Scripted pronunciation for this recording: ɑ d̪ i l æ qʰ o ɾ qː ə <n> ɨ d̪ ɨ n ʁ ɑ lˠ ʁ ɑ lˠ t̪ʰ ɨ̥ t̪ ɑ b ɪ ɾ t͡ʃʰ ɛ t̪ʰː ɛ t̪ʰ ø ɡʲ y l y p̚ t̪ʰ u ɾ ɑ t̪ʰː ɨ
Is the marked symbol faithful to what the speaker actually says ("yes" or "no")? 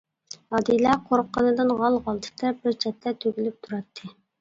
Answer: yes